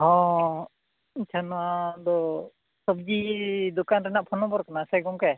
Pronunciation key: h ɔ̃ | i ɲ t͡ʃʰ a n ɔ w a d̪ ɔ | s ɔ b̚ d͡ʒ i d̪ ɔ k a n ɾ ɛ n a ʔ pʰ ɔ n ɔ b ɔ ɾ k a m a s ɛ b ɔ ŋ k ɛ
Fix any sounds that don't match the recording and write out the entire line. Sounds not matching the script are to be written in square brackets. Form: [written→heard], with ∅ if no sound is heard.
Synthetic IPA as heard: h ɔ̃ | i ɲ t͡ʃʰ a n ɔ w a d̪ ɔ | s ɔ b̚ d͡ʒ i d̪ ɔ k a n ɾ ɛ n a ʔ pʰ ɔ n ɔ b ɔ ɾ k a [m→n] a s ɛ [b→ɡ] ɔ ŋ k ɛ